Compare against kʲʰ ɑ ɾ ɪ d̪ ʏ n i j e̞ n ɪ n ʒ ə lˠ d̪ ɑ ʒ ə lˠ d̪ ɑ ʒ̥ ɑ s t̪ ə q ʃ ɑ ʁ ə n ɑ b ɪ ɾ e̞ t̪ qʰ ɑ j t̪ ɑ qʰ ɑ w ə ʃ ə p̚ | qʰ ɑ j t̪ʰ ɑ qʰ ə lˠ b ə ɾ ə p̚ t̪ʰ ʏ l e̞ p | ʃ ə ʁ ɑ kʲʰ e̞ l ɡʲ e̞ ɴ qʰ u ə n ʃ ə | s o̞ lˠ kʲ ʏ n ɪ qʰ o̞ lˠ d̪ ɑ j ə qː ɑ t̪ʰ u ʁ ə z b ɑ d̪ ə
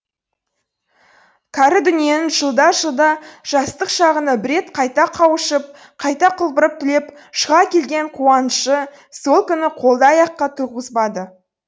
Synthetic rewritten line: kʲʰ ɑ ɾ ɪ d̪ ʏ n i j e̞ n ɪ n ʒ ə lˠ d̪ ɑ ʒ ə lˠ d̪ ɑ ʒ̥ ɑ s t̪ ə q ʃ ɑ ʁ ə n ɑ b ɪ ɾ e̞ t̪ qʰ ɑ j t̪ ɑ qʰ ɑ w ə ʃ ə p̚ | qʰ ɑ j t̪ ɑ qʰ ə lˠ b ə ɾ ə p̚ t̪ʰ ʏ l e̞ p | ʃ ə ʁ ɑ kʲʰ e̞ l ɡʲ e̞ ɴ qʰ u ɑ n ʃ ə | s o̞ lˠ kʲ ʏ n ɪ qʰ o̞ lˠ d̪ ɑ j ɑ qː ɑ t̪ʰ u ʁ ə z b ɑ d̪ ə